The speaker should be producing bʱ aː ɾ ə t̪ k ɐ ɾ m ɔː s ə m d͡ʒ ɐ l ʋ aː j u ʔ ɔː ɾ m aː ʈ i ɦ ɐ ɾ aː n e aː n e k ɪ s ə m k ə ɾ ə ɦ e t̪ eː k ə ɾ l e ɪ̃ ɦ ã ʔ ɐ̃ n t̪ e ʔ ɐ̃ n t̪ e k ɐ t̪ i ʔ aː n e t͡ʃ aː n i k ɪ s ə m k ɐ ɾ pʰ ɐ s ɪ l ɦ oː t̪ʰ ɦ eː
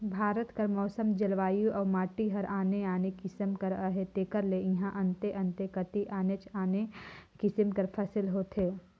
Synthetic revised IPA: bʱ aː ɾ ə t̪ k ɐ ɾ m ɔː s ə m d͡ʒ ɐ l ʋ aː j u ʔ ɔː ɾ m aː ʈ i ɦ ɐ ɾ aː n e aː n e k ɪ s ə m k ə ɾ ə ɦ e t̪ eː k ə ɾ l e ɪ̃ ɦ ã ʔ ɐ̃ n t̪ e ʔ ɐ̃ n t̪ e k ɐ t̪ i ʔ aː n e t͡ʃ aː n e k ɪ s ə m k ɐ ɾ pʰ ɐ s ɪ l ɦ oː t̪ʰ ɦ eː